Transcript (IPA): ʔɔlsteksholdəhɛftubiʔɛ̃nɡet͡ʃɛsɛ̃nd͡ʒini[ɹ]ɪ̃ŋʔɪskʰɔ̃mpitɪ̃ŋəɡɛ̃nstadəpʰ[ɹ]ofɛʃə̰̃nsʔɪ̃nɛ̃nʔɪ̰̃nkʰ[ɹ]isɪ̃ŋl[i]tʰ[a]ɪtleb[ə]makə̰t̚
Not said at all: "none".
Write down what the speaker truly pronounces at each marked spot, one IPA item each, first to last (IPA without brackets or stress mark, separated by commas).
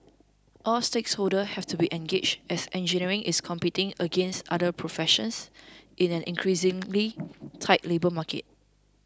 ɹ, ɹ, ɹ, i, a, ə